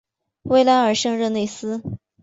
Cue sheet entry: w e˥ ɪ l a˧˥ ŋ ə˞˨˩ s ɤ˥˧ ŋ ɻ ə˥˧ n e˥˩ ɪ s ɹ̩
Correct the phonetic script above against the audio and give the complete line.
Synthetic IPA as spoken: w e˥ ɪ l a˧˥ n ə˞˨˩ ʂ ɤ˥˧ ŋ ɻ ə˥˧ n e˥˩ ɪ s ɹ̩